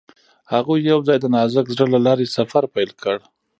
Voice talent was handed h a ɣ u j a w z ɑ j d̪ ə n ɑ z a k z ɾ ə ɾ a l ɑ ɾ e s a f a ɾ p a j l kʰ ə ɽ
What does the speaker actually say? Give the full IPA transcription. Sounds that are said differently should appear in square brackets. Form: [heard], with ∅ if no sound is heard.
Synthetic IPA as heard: h a ɣ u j a w z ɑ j d̪ ə n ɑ z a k z [ɽ] ə [l] a l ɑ ɾ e s a f a ɾ p a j l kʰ ə ɽ